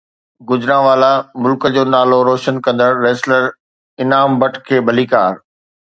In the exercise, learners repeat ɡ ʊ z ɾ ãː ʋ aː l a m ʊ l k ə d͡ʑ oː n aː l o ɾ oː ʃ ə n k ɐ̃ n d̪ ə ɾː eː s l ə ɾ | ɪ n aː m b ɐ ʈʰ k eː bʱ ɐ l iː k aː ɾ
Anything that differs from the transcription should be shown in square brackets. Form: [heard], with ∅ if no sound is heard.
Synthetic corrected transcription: ɡ ʊ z ɾ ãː ʋ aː l a m ʊ l k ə d͡ʑ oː n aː l o ɾ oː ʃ ə n k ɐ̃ n d̪ ə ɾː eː s l ə ɾ | ɪ n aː m b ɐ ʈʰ [kʰ] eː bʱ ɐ l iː k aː ɾ

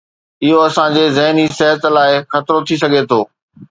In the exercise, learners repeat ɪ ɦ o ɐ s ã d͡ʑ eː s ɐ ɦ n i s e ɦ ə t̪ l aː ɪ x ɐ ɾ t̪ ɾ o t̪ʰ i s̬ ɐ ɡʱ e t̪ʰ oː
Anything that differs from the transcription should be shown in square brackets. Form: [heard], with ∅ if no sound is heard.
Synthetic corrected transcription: ɪ ɦ o ɐ s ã d͡ʑ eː [z] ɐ ɦ n i s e ɦ ə t̪ l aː ɪ x ɐ [∅] t̪ ɾ o t̪ʰ i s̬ ɐ ɡʱ e t̪ʰ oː

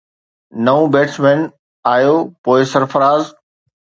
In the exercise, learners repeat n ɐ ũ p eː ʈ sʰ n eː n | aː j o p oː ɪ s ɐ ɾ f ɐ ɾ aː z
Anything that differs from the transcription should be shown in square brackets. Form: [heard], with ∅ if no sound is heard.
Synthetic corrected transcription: n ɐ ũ [b] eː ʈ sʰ [m] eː n | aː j o p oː ɪ s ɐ ɾ f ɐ ɾ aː z

